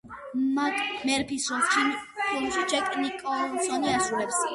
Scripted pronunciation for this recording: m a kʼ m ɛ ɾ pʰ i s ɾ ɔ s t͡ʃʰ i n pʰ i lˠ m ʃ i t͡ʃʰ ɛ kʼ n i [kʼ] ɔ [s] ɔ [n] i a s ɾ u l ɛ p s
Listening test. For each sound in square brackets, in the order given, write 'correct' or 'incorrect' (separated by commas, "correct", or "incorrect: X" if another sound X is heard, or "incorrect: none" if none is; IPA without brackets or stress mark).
correct, correct, correct